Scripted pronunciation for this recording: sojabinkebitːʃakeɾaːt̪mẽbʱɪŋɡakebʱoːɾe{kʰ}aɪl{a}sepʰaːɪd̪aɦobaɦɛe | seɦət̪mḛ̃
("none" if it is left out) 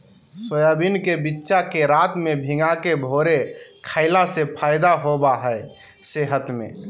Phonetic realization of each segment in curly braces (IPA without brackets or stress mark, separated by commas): kʰ, a